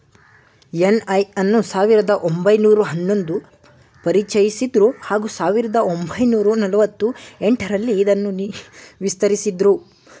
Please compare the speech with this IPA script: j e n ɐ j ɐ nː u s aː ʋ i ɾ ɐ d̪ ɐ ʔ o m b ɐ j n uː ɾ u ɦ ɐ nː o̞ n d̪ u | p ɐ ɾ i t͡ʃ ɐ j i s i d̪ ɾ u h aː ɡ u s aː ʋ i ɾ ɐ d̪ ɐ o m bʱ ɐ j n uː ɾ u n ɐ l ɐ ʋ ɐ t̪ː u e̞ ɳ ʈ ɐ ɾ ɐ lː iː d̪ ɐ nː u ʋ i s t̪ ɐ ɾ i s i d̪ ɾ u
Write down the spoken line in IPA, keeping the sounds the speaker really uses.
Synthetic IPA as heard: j e n ɐ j ɐ nː u s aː ʋ i ɾ ɐ d̪ ɐ ʔ o m b ɐ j n uː ɾ u ɦ ɐ nː o̞ n d̪ u | p ɐ ɾ i t͡ʃ ɐ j i s i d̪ ɾ u h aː ɡ u s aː ʋ i ɾ ɐ d̪ ɐ o m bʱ ɐ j n uː ɾ u n ɐ l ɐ ʋ ɐ t̪ː u e̞ ɳ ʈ ɐ ɾ ɐ lː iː d̪ ɐ nː u ʋ i s t̪ ɐ ɾ i s i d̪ ɾ u